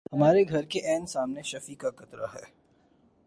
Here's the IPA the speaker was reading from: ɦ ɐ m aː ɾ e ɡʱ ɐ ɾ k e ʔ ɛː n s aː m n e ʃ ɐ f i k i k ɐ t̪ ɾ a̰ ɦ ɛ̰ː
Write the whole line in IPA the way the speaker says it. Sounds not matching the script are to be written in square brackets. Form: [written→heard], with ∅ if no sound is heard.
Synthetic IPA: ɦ ɐ m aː ɾ e ɡʱ ɐ ɾ k e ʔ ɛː n s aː m n e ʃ ɐ f i k [i→a] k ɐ t̪ ɾ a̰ ɦ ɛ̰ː